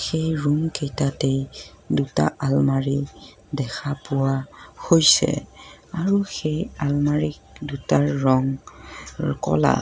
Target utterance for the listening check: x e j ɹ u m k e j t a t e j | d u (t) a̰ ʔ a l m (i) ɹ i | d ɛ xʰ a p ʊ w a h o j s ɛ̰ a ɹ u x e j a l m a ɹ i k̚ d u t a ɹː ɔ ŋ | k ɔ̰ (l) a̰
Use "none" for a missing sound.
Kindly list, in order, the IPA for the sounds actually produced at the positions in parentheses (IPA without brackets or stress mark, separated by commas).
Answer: t, a, l